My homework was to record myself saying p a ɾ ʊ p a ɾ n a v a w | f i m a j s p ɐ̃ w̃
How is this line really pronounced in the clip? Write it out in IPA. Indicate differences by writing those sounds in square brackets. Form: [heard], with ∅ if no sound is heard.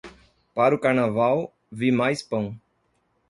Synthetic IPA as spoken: p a ɾ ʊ [k] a ɾ n a v a w | [v] i m a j s p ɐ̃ w̃